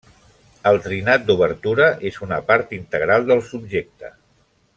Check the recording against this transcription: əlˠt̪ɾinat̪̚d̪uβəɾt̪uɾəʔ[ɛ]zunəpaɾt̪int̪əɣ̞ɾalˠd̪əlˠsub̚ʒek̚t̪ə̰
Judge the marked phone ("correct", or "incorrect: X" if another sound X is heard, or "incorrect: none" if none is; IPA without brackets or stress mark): incorrect: e